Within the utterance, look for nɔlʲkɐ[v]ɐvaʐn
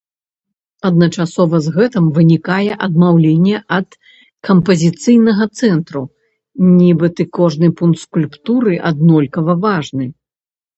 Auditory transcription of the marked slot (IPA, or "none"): v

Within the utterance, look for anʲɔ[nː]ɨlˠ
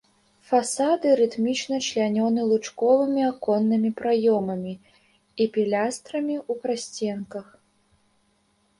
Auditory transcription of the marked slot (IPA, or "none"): n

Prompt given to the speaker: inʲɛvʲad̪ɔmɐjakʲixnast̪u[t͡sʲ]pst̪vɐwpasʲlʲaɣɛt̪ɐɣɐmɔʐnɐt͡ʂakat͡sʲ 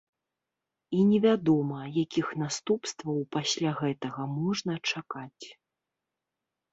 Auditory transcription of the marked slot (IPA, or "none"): none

